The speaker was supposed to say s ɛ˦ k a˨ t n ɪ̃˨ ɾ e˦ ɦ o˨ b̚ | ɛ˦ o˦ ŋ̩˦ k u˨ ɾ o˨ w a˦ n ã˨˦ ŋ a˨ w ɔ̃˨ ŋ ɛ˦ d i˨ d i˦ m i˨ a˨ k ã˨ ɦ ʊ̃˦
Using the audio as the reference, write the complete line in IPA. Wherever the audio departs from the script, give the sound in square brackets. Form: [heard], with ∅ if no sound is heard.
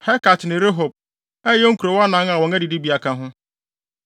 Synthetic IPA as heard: [h] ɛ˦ k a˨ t n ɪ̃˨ ɾ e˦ ɦ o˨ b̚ | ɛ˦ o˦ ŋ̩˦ k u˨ ɾ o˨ w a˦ n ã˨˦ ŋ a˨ w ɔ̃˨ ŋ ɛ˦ d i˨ d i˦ [b] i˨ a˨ k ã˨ ɦ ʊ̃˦